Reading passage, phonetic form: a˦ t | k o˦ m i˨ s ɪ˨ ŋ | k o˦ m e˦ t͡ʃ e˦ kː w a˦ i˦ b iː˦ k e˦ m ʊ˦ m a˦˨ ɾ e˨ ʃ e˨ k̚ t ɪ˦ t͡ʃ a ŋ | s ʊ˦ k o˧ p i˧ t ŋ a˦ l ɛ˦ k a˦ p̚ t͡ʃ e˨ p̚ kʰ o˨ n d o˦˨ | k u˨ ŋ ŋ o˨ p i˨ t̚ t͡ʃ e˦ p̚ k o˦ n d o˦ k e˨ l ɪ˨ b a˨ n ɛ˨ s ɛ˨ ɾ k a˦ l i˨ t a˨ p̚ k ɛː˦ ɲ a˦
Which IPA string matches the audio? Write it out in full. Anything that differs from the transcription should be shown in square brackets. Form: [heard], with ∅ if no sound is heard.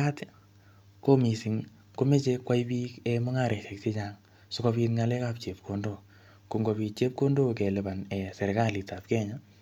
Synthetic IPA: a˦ t | k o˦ m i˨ s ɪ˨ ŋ | k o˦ m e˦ t͡ʃ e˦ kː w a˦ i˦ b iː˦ k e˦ m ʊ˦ [ŋ] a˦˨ ɾ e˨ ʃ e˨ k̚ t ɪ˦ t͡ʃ a ŋ | s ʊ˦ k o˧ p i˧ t ŋ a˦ l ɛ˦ k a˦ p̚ t͡ʃ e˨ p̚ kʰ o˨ n d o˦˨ | k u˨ ŋ [ɡ] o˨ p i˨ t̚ t͡ʃ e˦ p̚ k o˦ n d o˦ k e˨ l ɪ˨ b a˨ n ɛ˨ s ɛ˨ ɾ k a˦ l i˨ t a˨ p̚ k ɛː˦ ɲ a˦